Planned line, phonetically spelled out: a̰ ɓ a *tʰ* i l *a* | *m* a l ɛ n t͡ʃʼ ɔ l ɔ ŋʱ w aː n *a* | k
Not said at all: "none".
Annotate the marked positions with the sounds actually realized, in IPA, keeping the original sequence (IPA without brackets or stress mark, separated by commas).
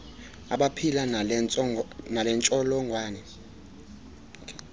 pʰ, a, n, ɛ